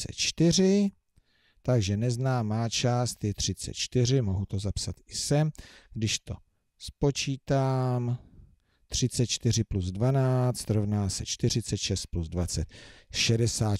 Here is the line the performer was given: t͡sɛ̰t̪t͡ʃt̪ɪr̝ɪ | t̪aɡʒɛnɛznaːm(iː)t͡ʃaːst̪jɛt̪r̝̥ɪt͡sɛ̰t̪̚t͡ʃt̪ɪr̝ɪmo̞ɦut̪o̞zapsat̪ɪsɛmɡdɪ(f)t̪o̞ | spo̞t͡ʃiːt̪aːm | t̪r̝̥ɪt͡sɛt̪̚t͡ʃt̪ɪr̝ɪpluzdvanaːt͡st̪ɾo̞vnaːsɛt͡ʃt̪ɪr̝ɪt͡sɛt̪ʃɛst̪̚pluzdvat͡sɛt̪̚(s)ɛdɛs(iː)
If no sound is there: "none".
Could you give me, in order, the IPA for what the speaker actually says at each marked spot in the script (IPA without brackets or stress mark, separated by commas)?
aː, ʃ, ʃ, aː